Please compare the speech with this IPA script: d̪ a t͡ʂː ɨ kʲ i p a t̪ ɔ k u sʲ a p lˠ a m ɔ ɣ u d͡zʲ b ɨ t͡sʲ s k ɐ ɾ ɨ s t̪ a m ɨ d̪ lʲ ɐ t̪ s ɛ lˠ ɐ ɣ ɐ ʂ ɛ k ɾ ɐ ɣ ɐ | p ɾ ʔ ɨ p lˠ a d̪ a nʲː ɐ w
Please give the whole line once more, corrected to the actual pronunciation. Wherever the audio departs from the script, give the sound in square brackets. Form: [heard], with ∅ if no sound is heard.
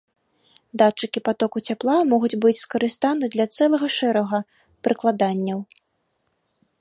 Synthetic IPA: d̪ a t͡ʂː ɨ kʲ i p a t̪ ɔ k u [t͡sʲ] a p lˠ a m ɔ ɣ u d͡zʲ b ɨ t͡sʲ s k ɐ ɾ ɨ s t̪ a [n] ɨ d̪ lʲ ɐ t̪ s ɛ lˠ ɐ ɣ ɐ ʂ ɛ [∅] ɾ ɐ ɣ ɐ | p ɾ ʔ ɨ [k] lˠ a d̪ a nʲː ɐ w